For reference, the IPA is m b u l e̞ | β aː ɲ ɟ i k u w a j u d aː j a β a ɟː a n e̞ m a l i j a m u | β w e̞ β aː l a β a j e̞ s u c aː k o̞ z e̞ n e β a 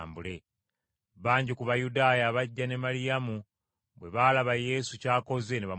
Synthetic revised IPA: m b u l e̞ | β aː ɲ ɟ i k u β a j u d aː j a β a ɟː a n e̞ m a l i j a m u | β w e̞ β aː l a β a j e̞ s u c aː k o̞ z e̞ n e β a